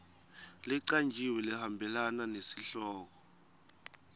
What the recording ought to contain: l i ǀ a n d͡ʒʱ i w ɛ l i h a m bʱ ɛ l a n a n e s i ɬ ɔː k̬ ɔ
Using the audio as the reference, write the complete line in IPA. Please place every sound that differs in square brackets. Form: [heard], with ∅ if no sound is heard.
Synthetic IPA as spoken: l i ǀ a n d͡ʒʱ i w ɛ l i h a m bʱ ɛ l a n a n e s i ɬ ɔː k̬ ɔ

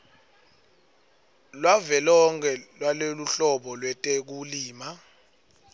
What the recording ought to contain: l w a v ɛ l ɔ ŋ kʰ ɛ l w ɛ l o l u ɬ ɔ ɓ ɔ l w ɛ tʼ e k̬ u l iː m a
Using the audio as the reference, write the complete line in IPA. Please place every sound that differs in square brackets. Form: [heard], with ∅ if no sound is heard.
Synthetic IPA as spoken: l w a v ɛ l ɔ ŋ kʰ ɛ l w [a] l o l u ɬ ɔ ɓ ɔ l w ɛ tʼ e k̬ u l iː m a

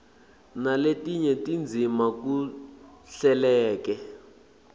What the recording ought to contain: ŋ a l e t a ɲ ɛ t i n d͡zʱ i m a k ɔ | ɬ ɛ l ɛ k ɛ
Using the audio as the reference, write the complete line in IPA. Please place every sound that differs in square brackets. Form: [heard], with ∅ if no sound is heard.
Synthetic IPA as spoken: [n] a l e t [i] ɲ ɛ t i n d͡zʱ i m a k [u] | ɬ ɛ l [ɛː] k ɛ

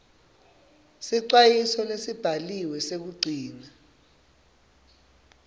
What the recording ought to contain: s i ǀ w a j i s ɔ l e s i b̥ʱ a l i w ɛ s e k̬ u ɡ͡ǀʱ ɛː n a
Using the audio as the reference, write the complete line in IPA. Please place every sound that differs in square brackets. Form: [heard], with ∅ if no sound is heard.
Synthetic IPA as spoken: s i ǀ w a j i s ɔ l e s i b̥ʱ a l i w ɛ s e k̬ u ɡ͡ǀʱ [iː] n a

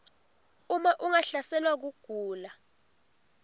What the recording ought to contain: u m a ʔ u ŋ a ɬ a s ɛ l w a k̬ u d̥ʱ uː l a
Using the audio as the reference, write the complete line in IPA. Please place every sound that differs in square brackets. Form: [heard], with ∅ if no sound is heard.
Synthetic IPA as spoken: u m a ʔ u ŋ a ɬ a s ɛ l w a k̬ u [ɡ̥ʱ] uː l a

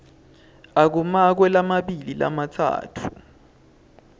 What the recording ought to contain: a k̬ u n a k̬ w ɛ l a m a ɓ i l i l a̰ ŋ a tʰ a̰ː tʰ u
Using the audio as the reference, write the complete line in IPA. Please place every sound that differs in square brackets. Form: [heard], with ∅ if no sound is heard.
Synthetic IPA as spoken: a k̬ u [m] a k̬ w ɛ l a m a ɓ i l i l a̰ [m] a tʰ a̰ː tʰ u

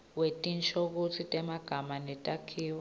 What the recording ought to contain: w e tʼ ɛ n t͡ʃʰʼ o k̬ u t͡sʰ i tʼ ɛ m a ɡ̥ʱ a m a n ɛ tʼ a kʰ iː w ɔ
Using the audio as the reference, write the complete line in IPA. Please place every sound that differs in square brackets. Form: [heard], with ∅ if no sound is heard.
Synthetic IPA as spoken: w e tʼ [i] n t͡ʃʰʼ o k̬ u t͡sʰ i tʼ ɛ m a ɡ̥ʱ a m a n ɛ tʼ a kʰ iː w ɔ

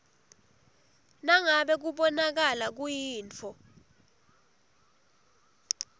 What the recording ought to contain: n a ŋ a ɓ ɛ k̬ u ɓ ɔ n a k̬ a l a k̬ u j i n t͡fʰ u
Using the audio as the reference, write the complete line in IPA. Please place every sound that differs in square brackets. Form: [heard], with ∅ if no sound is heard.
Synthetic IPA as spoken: n a ŋ a ɓ ɛ k̬ u ɓ ɔ n a k̬ a l a k̬ u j [iː] n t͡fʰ [ɔ]

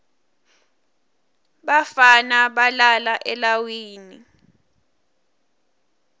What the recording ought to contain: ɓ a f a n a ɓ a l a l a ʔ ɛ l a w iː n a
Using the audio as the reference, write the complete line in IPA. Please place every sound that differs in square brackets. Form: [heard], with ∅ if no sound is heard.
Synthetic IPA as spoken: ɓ a f a n a ɓ a l a l a ʔ ɛ l a w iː n [i]

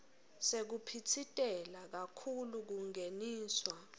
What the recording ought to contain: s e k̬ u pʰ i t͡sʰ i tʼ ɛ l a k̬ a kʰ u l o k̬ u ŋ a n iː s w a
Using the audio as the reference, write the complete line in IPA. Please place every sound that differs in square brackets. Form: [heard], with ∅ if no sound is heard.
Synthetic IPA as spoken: s e k̬ u pʰ i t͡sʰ i tʼ ɛ l a k̬ a kʰ u l [u] k̬ u ŋ [e] n iː s w a

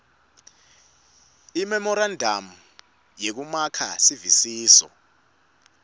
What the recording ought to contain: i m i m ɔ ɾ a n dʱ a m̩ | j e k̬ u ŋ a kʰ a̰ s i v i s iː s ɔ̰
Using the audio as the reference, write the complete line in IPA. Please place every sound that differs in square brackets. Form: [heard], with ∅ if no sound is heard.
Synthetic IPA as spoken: i m [ɛ] m ɔ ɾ a n dʱ a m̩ | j e k̬ u [m] a kʰ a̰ s i v i s iː s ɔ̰

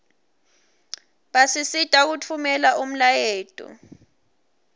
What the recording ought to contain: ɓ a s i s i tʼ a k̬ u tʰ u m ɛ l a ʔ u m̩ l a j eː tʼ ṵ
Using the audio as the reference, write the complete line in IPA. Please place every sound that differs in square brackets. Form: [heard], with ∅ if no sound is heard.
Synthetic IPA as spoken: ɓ a s i s i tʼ a k̬ u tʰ u m ɛ l a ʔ u m̩ l a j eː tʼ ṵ

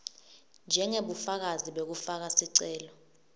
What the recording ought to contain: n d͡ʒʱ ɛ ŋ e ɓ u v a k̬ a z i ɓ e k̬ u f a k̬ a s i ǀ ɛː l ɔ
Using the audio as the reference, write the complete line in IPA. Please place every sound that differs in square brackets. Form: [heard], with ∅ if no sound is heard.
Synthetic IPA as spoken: n d͡ʒʱ ɛ ŋ e ɓ u [f] a k̬ a z i ɓ e k̬ u f a k̬ a s i ǀ ɛː l ɔ

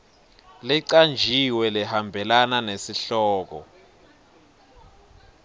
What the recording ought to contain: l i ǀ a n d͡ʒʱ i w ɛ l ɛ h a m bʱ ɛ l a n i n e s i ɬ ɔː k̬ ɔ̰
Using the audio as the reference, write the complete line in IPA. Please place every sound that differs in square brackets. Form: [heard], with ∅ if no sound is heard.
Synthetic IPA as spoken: l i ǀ a n d͡ʒʱ i w ɛ l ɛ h a m bʱ ɛ l a n [a] n e s i ɬ ɔː k̬ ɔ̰

